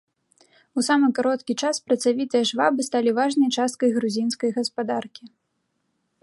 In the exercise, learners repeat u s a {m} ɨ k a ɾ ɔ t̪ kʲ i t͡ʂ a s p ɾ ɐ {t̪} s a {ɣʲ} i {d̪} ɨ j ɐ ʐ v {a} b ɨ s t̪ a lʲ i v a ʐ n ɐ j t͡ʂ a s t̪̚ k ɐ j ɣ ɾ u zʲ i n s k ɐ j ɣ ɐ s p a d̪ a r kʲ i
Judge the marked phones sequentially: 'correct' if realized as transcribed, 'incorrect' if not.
correct, correct, incorrect: vʲ, incorrect: t̪, correct

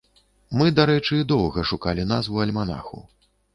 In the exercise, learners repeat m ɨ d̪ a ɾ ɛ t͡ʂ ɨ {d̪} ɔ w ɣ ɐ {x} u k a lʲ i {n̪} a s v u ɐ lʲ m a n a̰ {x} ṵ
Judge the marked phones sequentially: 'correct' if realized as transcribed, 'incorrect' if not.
correct, incorrect: ʂ, correct, correct

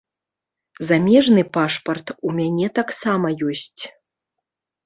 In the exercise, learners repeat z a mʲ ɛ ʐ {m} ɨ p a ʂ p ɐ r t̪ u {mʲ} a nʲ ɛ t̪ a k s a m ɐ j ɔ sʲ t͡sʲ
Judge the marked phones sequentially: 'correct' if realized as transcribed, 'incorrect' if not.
incorrect: n, correct

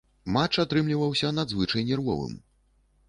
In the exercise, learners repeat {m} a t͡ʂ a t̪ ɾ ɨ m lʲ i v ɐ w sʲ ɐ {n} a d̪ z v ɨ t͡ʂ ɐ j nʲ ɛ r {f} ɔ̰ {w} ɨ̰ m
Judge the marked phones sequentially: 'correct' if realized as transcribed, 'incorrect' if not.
correct, correct, incorrect: v, incorrect: v

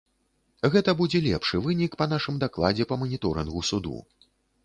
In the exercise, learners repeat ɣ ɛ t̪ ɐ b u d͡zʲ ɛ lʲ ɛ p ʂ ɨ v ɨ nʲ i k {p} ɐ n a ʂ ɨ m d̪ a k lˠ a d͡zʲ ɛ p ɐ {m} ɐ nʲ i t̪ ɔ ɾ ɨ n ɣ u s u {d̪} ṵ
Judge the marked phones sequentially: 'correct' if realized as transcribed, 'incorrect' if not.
correct, correct, correct

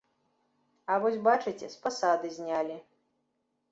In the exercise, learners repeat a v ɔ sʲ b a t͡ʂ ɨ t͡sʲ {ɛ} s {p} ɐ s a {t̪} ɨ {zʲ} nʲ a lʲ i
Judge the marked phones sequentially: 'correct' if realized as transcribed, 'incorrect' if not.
correct, correct, incorrect: d̪, correct

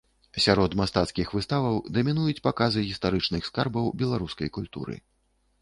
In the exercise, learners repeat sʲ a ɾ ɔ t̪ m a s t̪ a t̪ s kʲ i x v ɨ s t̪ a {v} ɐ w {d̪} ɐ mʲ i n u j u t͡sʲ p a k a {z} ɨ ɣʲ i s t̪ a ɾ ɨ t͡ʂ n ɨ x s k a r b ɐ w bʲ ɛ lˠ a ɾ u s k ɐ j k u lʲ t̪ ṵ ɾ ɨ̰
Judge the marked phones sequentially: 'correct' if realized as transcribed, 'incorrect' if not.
correct, correct, correct

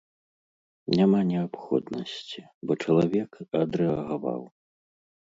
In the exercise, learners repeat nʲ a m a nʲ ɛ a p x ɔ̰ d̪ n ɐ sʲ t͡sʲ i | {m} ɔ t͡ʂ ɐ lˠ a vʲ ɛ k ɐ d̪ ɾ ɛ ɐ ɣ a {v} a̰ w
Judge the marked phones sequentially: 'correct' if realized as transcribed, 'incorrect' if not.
incorrect: b, correct

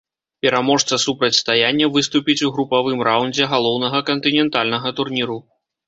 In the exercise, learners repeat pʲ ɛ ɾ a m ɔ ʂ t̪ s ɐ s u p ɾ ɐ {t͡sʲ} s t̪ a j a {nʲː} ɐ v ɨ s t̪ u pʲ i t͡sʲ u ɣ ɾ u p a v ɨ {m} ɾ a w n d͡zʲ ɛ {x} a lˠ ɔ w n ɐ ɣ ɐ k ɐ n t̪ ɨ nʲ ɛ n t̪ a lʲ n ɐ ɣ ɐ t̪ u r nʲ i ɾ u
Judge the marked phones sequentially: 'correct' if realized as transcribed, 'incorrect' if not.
correct, correct, correct, incorrect: ɣ

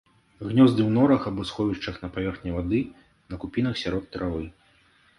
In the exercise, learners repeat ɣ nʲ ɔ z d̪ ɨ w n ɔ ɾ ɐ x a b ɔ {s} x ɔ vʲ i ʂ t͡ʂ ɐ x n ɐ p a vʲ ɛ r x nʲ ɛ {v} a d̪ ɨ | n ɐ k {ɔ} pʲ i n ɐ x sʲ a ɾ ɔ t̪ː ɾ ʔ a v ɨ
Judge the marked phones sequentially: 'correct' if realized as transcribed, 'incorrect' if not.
correct, correct, incorrect: u

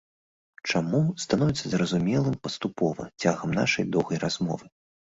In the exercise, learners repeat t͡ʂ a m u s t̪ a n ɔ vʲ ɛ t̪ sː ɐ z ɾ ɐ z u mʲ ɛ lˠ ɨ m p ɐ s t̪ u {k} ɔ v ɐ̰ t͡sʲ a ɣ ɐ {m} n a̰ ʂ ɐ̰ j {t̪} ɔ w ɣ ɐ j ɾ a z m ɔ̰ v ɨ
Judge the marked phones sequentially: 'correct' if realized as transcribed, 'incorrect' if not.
incorrect: p, correct, incorrect: d̪

